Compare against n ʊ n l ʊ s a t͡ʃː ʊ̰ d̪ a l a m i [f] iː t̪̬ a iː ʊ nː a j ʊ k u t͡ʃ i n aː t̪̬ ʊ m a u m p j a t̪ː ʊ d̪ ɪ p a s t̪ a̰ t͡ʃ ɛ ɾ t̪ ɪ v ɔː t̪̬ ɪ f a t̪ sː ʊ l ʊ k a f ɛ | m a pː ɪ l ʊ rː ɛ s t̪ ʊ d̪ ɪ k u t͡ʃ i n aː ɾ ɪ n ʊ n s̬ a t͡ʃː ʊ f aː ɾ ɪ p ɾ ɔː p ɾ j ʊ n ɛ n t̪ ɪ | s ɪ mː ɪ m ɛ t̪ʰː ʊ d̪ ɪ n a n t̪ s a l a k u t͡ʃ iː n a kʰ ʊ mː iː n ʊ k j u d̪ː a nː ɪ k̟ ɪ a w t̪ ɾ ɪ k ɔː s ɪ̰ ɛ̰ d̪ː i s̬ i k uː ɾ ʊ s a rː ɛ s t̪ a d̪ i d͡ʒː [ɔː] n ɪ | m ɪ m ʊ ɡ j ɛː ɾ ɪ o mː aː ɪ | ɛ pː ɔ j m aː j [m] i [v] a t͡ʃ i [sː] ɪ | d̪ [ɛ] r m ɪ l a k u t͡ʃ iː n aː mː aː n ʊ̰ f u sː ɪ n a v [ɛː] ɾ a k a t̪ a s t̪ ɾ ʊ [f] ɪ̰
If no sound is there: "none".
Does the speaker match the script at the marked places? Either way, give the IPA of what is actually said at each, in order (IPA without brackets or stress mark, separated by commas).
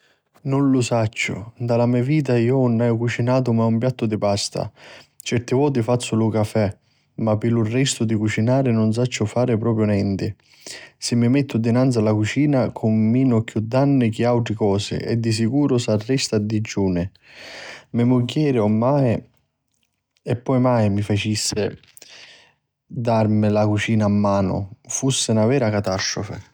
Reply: v, uː, m, f, sː, a, ɛː, f